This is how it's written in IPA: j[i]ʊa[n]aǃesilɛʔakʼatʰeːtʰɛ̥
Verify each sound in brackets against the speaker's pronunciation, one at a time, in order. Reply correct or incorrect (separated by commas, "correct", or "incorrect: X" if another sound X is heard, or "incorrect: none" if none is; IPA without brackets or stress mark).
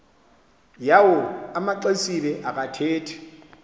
incorrect: a, incorrect: m